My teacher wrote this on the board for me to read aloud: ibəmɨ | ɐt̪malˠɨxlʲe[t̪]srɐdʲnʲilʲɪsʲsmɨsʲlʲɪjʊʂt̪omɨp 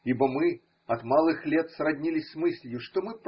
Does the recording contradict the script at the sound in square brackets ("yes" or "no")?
no